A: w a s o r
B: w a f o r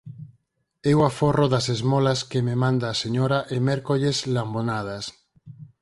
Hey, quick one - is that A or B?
B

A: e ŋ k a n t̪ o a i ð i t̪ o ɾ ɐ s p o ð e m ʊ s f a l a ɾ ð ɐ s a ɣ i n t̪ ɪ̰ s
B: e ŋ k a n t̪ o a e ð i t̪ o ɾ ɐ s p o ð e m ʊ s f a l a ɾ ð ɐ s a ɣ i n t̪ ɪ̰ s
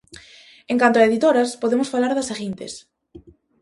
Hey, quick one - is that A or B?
B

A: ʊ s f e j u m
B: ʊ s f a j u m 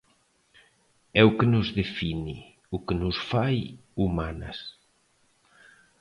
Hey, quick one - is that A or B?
B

